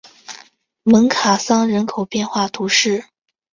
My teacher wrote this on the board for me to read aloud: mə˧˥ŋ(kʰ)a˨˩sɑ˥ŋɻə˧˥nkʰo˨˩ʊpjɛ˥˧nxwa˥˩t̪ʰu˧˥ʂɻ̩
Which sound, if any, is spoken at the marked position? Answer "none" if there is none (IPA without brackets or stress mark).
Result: kʰ